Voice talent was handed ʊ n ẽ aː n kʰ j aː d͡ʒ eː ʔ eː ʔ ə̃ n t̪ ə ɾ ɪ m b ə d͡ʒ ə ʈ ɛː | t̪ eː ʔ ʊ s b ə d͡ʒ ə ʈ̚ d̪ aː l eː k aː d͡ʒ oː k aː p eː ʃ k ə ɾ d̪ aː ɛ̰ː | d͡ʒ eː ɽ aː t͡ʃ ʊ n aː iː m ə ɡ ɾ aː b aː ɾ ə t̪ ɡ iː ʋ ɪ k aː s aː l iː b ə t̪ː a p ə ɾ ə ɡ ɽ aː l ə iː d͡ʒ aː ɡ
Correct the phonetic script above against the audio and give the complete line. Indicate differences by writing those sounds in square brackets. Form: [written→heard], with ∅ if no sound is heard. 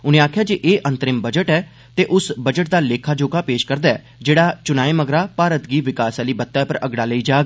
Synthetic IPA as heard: ʊ n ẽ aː [n→∅] kʰ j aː d͡ʒ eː ʔ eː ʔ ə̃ n t̪ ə ɾ ɪ m b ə d͡ʒ ə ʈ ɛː | t̪ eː ʔ ʊ s b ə d͡ʒ ə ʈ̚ d̪ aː l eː [k→kʰ] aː d͡ʒ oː k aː p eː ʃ k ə ɾ d̪ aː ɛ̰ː | d͡ʒ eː ɽ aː t͡ʃ ʊ n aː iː m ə ɡ ɾ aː [b→p] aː ɾ ə t̪ ɡ iː ʋ ɪ k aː s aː l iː b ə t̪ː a p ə ɾ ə ɡ ɽ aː l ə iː d͡ʒ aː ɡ